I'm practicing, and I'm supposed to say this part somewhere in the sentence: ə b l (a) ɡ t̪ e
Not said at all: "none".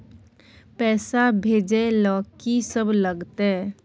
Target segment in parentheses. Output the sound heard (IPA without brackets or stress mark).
ə